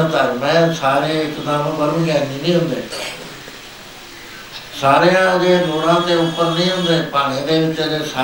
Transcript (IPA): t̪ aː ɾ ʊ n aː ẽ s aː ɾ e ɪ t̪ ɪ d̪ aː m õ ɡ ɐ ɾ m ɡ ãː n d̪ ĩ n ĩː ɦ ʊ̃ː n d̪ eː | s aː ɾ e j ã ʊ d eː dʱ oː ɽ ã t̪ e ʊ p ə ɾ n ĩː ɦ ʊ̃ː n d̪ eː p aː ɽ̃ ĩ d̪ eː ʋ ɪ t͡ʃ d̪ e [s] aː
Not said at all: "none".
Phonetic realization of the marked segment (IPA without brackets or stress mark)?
s